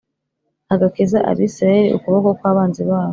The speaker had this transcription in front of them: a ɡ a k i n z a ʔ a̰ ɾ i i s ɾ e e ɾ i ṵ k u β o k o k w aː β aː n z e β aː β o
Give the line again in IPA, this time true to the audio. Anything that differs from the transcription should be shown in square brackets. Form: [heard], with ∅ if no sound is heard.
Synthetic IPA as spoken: a ɡ a k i [∅] z a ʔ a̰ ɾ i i s ɾ [a] e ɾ i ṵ k u β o k o k w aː β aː n z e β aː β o